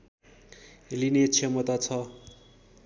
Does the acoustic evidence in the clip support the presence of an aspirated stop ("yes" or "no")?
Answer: yes